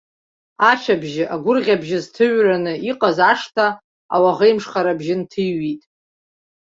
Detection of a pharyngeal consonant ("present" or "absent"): absent